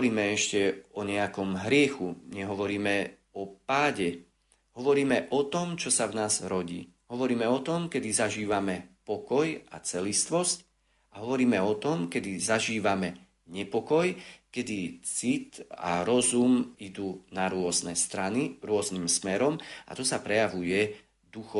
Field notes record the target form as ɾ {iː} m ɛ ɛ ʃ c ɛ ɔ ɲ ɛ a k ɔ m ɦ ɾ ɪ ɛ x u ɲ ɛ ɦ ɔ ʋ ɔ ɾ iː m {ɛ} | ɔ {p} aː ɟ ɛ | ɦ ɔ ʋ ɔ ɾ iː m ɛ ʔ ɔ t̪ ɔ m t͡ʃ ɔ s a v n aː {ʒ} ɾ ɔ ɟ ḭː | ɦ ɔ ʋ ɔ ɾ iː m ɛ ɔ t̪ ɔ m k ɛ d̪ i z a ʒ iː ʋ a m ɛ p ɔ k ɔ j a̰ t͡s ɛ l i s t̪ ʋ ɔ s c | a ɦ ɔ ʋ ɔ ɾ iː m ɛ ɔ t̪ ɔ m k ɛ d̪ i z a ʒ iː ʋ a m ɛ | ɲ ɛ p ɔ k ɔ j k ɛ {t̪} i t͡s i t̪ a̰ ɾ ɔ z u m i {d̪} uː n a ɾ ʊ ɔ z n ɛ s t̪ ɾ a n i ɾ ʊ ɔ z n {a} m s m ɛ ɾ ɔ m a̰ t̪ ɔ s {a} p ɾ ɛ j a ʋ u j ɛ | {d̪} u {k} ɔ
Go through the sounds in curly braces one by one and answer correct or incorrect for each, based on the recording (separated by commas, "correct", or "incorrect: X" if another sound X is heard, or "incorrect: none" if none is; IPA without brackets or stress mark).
correct, correct, correct, incorrect: z, incorrect: d̪, correct, incorrect: i, correct, correct, incorrect: x